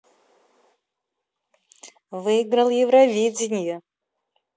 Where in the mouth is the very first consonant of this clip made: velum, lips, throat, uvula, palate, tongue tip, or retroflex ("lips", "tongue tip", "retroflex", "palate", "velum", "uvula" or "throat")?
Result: lips